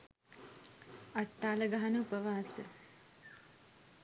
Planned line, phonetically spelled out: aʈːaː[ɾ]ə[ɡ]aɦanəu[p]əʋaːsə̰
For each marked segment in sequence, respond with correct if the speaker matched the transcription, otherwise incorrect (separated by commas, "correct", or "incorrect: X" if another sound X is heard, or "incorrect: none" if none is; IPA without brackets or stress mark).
incorrect: l, correct, correct